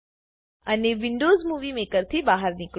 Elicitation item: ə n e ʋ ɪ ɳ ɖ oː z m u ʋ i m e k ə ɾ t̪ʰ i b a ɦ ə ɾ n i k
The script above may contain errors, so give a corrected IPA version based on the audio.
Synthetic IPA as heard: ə n e ʋ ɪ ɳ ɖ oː z m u ʋ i m e k ə ɾ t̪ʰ i b a ɦ ə ɾ n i k